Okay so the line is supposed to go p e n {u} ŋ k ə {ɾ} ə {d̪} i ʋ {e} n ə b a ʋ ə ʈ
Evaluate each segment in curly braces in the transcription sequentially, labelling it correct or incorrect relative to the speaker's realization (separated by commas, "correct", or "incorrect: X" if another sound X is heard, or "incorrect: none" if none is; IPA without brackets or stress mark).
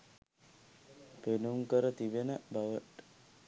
correct, correct, incorrect: t̪, correct